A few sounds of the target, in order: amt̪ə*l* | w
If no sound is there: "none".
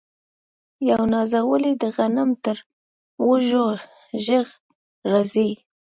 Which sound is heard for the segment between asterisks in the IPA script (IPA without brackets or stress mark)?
ɾ